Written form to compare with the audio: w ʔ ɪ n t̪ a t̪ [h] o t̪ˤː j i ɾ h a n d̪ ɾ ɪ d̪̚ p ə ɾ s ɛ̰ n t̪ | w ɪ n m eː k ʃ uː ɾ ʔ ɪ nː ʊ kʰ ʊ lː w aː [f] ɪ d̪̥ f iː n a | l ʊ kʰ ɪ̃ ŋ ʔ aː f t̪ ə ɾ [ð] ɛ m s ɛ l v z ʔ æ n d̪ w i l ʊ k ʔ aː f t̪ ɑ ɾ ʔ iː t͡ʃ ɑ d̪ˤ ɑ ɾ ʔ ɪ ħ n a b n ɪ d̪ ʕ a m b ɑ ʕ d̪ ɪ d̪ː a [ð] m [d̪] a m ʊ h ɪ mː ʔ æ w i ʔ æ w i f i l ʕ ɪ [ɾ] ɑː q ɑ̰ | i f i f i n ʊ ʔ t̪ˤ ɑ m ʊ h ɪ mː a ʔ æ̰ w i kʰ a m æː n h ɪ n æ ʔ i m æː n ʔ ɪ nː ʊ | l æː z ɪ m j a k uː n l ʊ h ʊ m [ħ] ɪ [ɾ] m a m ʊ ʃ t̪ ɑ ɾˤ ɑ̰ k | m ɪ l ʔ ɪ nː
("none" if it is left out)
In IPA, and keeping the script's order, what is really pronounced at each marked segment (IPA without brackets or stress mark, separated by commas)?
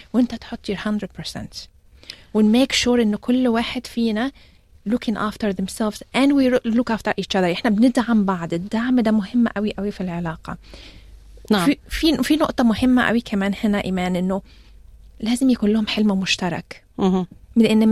ħ, ħ, ð, ʕ, d̪, l, ħ, l